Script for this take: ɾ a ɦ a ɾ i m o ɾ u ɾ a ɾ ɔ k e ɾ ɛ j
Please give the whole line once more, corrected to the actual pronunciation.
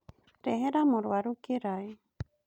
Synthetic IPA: ɾ e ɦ e ɾ a m o ɾ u a ɾ u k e ɾ a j